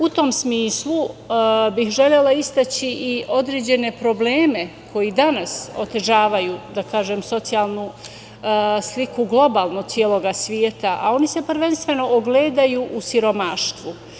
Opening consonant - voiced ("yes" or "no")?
no